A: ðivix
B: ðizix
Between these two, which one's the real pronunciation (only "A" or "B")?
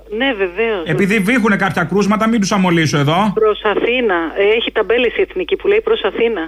A